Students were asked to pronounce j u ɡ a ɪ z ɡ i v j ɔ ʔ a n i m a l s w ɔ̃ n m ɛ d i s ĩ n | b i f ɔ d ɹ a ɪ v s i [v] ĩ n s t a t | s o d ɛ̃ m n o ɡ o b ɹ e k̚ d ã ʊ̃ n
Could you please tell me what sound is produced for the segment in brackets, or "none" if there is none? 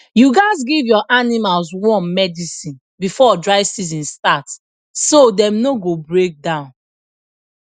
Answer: z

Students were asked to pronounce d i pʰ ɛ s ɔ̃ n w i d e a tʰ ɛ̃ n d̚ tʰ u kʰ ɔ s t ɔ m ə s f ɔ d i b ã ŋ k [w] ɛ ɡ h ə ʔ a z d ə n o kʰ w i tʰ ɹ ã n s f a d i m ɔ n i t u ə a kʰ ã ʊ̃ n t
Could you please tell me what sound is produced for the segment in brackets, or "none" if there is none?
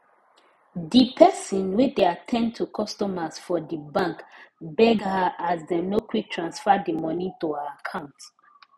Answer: b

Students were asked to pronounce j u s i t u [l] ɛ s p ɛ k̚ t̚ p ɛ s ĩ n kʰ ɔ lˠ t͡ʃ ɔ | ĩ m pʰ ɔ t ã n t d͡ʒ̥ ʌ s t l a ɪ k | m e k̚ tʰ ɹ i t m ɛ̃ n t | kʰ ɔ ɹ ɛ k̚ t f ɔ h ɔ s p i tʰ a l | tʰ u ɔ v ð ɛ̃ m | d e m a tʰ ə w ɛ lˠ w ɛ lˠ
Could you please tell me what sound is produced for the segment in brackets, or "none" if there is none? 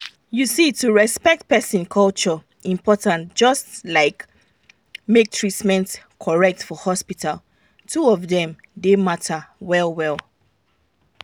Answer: ɹ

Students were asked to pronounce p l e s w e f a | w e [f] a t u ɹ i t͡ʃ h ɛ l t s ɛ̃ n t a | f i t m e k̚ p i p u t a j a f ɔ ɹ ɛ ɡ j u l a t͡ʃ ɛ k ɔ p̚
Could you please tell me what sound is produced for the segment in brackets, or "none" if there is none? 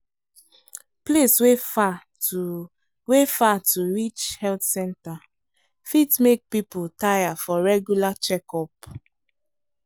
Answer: f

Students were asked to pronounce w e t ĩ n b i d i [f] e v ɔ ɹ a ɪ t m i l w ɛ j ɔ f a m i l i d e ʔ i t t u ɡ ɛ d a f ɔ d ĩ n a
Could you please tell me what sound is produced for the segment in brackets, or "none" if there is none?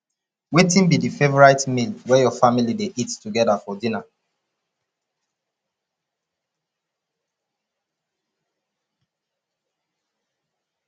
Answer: f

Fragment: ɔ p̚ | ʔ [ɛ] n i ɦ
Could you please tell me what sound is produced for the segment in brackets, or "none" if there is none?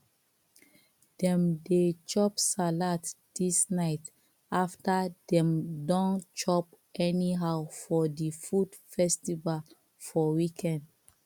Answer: ɛ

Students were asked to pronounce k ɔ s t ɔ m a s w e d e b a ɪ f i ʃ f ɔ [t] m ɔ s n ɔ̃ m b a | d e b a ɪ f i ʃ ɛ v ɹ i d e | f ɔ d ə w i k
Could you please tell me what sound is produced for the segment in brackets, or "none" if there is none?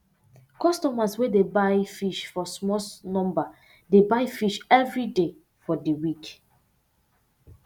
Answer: s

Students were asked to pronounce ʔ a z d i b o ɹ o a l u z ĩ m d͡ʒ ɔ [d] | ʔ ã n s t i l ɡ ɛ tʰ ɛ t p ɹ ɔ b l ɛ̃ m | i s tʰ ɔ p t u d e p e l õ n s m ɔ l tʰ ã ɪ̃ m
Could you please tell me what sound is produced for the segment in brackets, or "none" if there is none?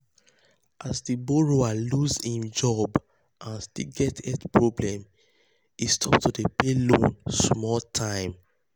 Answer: b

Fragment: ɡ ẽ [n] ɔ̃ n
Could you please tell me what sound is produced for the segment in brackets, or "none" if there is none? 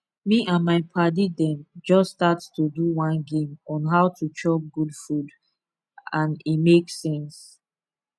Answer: m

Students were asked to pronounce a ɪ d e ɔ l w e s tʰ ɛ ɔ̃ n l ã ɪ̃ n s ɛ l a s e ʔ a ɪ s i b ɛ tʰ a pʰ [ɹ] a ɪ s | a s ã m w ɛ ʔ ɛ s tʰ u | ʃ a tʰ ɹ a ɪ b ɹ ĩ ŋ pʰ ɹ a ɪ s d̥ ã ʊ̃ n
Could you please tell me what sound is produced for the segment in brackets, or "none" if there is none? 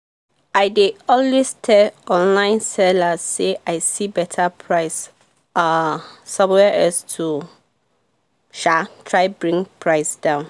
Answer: ɹ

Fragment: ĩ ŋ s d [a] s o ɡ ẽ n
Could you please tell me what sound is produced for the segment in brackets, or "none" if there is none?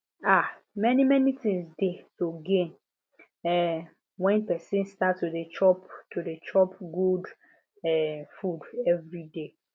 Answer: e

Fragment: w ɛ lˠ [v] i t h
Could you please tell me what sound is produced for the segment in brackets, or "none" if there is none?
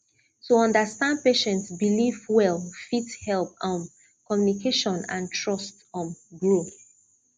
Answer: f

